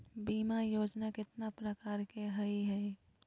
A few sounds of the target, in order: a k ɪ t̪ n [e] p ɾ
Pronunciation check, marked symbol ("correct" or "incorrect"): incorrect